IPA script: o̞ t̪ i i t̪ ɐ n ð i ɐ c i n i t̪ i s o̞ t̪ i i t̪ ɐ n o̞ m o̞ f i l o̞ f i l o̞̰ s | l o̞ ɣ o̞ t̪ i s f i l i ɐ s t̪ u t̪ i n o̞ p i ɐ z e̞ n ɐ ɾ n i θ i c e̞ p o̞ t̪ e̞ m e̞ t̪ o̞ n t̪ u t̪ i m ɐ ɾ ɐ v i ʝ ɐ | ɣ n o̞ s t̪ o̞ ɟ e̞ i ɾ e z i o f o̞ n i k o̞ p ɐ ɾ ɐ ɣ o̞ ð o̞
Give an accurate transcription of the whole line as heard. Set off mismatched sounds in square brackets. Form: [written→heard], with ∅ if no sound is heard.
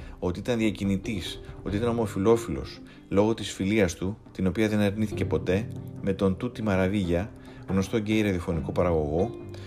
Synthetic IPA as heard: o̞ t̪ i i t̪ ɐ n ð i ɐ c i n i t̪ i s o̞ t̪ i i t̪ ɐ n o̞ m o̞ f i l o̞ f i l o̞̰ s | l o̞ ɣ o̞ t̪ i s f i l i ɐ s t̪ u t̪ i n o̞ p i ɐ [z→ð] e̞ n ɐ ɾ n i θ i c e̞ p o̞ t̪ e̞ m e̞ t̪ o̞ n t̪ u t̪ i m ɐ ɾ ɐ v i ʝ ɐ | ɣ n o̞ s t̪ o̞ ɟ e̞ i ɾ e [z→ð] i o f o̞ n i k o̞ p ɐ ɾ ɐ ɣ o̞ [ð→ɣ] o̞